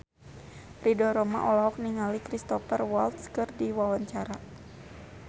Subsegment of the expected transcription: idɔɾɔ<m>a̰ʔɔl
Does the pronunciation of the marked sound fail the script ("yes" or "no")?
no